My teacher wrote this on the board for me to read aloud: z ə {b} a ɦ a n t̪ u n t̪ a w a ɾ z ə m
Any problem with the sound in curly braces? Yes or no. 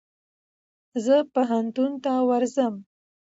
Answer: yes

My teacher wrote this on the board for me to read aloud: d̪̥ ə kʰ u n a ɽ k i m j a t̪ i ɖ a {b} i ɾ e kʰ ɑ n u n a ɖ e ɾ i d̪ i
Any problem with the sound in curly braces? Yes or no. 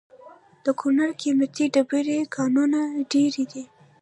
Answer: no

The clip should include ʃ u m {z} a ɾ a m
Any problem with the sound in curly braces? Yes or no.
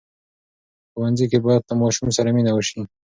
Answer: yes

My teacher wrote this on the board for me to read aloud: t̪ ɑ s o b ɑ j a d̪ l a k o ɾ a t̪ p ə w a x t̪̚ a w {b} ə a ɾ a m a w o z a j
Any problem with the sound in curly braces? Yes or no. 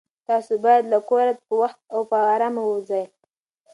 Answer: yes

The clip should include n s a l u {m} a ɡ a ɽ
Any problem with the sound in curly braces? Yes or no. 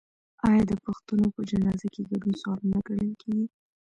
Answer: yes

